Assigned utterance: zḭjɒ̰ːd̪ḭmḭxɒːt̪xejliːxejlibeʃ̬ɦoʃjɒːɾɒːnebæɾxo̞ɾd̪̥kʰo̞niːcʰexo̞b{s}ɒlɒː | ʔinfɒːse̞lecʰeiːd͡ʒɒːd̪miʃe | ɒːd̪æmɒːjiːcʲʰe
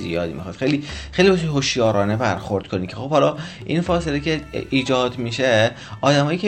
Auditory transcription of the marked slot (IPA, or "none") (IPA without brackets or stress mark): h